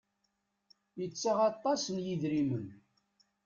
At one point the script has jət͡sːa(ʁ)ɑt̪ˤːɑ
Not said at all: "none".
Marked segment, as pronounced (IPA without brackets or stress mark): ʁ